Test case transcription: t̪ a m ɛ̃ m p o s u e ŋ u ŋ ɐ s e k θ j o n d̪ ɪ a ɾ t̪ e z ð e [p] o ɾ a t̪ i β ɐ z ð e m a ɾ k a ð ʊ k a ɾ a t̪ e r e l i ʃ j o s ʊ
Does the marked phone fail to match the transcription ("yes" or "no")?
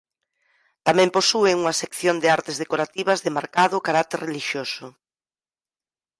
yes